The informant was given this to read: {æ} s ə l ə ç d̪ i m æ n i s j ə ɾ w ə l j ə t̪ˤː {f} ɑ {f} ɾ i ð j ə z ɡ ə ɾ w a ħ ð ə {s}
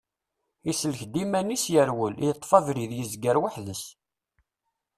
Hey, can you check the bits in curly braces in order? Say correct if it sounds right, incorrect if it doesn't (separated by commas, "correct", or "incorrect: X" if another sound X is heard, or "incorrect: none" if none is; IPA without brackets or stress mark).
incorrect: i, correct, incorrect: v, correct